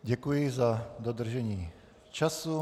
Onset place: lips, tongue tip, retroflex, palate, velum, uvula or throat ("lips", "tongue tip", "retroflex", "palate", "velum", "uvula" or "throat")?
palate